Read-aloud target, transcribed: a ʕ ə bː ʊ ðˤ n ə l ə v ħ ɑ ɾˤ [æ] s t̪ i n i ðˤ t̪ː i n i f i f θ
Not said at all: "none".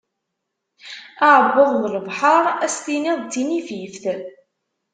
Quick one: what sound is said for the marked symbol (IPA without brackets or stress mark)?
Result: æ